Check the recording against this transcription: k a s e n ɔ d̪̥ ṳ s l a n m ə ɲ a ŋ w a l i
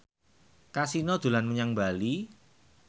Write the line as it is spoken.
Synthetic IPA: k a s i n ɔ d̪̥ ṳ l a n m ə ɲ a ŋ b a l i